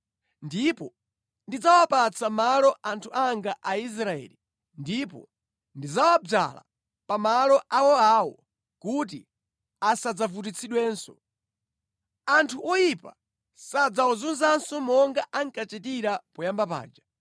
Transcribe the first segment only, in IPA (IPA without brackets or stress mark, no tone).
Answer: n